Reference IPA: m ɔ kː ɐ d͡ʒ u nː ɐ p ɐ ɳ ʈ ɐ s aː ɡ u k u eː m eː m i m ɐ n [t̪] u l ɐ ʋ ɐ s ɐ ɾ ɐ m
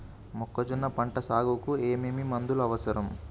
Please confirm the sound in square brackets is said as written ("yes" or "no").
no